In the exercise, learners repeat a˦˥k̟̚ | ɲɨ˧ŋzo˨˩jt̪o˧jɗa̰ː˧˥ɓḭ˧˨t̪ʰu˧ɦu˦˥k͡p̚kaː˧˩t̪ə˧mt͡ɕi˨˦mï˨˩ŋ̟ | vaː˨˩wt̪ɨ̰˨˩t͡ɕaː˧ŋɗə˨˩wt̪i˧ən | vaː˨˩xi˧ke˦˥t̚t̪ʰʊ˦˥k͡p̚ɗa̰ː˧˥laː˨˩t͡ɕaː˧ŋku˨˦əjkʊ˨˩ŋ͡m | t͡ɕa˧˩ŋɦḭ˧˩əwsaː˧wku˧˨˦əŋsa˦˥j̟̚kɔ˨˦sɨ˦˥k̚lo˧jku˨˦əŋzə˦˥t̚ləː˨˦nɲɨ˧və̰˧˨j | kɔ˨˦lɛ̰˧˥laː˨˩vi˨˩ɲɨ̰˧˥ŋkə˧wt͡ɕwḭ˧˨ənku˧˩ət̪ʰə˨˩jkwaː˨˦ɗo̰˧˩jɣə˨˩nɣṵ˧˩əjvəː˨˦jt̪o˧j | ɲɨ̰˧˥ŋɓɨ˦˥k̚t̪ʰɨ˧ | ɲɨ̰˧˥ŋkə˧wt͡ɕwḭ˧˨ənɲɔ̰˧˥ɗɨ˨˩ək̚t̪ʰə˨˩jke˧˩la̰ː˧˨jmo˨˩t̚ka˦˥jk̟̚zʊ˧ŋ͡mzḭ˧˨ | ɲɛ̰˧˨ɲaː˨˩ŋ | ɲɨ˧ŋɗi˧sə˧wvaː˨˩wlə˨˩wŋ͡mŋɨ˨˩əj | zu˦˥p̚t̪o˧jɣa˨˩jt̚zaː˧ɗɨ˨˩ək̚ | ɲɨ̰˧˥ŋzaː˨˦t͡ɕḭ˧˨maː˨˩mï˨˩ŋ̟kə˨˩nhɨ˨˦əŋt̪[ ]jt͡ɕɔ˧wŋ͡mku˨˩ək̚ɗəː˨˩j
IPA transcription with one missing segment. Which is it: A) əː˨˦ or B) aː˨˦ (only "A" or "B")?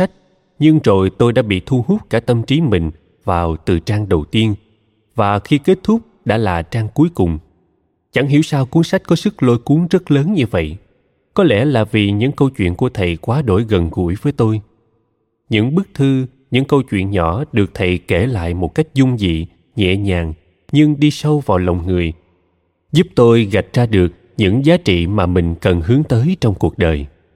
A